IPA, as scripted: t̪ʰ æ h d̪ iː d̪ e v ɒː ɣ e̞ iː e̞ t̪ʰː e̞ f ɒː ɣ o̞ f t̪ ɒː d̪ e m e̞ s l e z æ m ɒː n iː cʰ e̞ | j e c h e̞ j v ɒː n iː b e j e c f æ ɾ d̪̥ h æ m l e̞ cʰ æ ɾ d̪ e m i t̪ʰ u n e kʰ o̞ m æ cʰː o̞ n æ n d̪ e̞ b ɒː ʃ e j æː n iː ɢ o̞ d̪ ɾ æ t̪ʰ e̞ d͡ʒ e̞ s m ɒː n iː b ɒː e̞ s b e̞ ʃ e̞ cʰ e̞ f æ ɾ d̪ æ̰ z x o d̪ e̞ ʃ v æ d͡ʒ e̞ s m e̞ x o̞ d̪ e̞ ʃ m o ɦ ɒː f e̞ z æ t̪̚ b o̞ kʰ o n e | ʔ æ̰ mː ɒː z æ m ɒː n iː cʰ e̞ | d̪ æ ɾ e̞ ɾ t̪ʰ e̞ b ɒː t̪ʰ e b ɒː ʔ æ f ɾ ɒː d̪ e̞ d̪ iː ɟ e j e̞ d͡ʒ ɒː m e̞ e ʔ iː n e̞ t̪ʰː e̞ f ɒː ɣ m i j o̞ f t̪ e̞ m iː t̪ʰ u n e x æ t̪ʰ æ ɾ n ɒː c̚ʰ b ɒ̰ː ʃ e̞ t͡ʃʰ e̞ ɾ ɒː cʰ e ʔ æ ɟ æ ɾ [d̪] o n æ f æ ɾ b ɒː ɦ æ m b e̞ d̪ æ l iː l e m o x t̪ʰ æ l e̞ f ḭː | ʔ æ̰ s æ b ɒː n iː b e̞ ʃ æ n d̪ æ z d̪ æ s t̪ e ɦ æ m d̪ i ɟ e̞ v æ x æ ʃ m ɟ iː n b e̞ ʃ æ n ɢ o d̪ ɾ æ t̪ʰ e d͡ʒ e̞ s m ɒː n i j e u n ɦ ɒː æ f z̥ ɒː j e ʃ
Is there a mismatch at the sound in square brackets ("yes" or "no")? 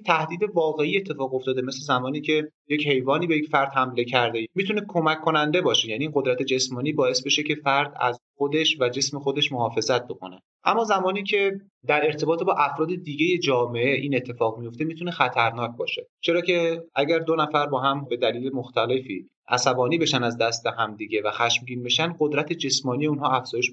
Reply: no